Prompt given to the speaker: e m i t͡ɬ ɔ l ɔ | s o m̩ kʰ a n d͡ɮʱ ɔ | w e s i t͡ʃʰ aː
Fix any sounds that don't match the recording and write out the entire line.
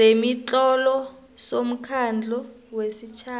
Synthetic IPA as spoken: e m i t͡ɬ ɔ l ɔ | s o m̩ kʰ a n d͡ɮʱ ɔ | w e s i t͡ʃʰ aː